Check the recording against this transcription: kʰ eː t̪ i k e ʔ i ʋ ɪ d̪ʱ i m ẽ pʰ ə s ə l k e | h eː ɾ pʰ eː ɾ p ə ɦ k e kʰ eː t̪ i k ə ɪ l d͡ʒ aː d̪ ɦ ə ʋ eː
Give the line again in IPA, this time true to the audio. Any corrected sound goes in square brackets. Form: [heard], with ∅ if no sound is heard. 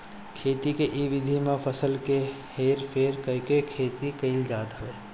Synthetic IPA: kʰ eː t̪ i k e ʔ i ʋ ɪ d̪ʱ i m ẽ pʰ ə s ə l k e | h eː ɾ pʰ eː ɾ [k] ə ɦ k e kʰ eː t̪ i k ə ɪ l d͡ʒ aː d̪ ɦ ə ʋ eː